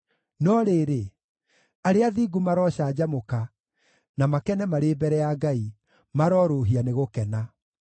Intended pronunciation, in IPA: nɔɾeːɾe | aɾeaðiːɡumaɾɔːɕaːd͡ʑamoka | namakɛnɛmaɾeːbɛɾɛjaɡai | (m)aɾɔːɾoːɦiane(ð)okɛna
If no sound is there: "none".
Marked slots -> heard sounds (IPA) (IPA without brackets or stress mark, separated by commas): m, ɣ